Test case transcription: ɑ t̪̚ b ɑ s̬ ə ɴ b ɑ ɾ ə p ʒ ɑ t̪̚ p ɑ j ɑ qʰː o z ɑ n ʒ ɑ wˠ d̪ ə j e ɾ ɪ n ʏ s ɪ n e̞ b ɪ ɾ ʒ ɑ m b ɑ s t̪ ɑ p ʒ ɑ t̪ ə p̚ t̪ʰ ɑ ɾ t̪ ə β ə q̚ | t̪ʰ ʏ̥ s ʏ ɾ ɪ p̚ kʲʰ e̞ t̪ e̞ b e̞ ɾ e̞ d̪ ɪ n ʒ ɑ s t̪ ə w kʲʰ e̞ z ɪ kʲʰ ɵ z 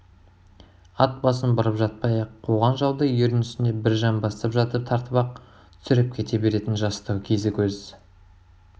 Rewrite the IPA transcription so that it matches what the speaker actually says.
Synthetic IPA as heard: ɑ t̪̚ b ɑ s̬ ə n b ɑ ɾ ə p ʒ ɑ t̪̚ p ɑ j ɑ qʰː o ʁ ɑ n ʒ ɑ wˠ d̪ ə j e ɾ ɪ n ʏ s ɪ n e̞ b ɪ ɾ ʒ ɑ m b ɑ s t̪ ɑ p ʒ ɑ t̪ ə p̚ t̪ʰ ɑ ɾ t̪ ə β ɑ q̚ | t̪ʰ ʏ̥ s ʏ ɾ ɪ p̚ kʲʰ e̞ t̪ e̞ b e̞ ɾ e̞ t̪ ɪ n ʒ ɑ s t̪ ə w kʲʰ e̞ z ɪ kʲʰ ɵ z